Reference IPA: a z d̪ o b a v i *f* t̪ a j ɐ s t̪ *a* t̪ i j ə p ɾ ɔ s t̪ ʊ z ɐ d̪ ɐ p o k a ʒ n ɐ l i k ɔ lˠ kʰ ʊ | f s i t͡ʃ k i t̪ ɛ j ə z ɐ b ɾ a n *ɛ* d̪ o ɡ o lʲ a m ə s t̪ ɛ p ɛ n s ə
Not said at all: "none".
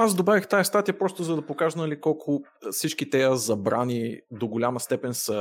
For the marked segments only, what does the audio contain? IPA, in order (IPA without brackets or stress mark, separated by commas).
x, a, i